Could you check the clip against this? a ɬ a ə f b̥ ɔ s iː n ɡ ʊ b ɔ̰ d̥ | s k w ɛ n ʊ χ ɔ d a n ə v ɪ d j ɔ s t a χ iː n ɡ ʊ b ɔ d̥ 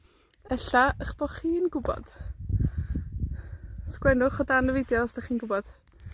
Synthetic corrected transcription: ɛ ɬ a ə χ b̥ ɔ χ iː n ɡ ʊ b ɔ̰ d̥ | s k w ɛ n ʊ χ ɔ d a n ə v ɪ d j ɔ s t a χ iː n ɡ ʊ b ɔ d̥